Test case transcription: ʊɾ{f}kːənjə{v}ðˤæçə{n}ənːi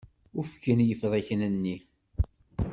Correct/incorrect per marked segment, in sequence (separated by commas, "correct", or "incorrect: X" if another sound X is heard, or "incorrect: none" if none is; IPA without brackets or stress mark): correct, incorrect: f, correct